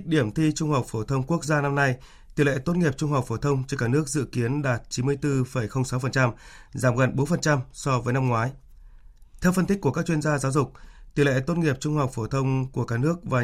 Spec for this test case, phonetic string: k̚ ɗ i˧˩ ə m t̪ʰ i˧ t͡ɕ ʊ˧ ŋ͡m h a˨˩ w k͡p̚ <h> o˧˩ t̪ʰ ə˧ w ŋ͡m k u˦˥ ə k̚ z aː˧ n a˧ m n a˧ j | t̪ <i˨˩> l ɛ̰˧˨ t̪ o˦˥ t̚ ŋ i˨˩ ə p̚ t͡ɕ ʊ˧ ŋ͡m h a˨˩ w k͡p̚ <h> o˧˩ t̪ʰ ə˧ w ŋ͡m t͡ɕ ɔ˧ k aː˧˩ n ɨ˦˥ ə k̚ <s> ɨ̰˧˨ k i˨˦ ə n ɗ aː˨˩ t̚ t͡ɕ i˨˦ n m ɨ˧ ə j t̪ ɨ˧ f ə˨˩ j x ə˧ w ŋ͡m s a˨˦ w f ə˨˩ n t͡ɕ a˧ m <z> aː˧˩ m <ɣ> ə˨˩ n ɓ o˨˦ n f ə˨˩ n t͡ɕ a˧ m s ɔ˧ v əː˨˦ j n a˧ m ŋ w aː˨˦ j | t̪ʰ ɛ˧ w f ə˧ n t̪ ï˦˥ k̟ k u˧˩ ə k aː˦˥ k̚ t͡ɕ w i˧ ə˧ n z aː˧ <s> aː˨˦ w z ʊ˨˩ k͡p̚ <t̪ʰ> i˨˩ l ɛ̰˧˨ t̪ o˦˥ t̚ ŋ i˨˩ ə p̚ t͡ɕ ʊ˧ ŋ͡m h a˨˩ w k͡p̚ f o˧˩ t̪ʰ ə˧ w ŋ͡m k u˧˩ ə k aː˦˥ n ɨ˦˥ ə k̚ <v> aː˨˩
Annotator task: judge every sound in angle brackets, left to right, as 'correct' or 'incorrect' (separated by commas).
incorrect, correct, incorrect, incorrect, correct, correct, incorrect, incorrect, correct